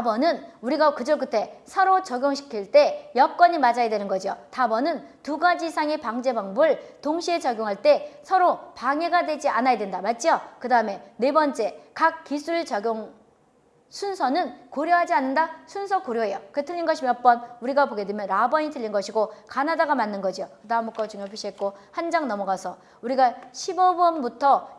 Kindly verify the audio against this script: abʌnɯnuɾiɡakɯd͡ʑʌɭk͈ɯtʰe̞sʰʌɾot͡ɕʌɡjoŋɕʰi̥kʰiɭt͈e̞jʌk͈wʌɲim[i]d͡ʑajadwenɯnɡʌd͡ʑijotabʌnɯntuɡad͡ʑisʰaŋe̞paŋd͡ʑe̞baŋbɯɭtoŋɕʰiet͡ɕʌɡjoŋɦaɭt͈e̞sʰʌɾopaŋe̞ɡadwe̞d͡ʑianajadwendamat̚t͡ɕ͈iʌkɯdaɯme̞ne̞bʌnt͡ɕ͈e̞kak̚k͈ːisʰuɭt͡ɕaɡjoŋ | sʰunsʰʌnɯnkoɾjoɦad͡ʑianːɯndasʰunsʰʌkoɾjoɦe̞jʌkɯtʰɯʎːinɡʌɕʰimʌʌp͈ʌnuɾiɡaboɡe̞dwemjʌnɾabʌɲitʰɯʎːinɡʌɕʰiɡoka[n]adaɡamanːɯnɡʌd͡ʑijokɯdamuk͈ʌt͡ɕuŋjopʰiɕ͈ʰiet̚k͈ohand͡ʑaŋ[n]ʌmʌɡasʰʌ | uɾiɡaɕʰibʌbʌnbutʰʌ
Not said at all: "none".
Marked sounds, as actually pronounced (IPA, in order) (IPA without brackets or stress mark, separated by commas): a, n, n